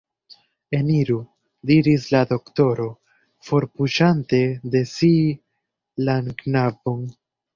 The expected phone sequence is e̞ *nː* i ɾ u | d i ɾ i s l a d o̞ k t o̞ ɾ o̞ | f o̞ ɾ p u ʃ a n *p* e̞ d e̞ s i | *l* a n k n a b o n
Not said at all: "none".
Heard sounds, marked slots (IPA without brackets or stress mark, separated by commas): n, t, l